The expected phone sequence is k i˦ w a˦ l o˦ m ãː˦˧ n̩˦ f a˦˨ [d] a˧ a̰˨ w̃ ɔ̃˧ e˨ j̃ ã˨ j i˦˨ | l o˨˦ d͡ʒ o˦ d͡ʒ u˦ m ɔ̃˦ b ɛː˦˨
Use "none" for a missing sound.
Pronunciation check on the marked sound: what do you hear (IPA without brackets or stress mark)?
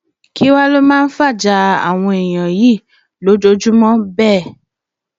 d͡ʒ